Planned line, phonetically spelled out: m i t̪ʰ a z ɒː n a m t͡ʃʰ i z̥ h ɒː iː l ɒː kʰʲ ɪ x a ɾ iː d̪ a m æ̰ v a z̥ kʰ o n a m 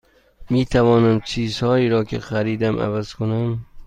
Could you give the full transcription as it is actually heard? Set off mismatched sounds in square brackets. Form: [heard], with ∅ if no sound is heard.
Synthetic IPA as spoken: m i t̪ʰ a [v] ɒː n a m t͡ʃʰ i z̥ h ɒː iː [ɾ] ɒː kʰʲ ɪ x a ɾ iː d̪ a m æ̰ v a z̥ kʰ o n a m